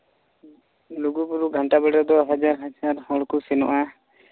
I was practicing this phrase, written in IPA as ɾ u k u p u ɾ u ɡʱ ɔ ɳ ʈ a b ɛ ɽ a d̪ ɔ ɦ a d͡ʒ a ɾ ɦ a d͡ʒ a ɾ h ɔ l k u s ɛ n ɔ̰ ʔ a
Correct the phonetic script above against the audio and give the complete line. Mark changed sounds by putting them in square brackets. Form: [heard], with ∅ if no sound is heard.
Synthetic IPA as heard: [l] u [ɡ] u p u ɾ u ɡʱ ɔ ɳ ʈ a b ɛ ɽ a d̪ ɔ ɦ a d͡ʒ a ɾ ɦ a d͡ʒ a ɾ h ɔ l k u s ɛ n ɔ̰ ʔ a